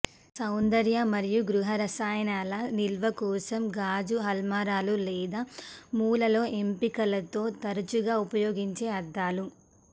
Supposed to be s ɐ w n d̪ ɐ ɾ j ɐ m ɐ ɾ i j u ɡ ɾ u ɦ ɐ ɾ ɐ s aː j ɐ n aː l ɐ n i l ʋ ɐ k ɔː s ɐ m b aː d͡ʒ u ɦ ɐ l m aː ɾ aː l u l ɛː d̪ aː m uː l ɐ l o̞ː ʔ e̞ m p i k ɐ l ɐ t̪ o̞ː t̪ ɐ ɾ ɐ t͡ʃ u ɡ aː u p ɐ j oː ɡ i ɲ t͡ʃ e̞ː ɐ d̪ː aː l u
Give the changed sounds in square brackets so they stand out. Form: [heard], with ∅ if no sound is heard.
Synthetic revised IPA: s ɐ w n d̪ ɐ ɾ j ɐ m ɐ ɾ i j u ɡ ɾ u ɦ ɐ ɾ ɐ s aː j ɐ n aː l ɐ n i l ʋ ɐ k ɔː s ɐ m [ɡ] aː d͡ʒ u ɦ ɐ l m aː ɾ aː l u l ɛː d̪ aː m uː l ɐ l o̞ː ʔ e̞ m p i k ɐ l ɐ t̪ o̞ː t̪ ɐ ɾ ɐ t͡ʃ u ɡ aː u p ɐ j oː ɡ i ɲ t͡ʃ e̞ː ɐ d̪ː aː l u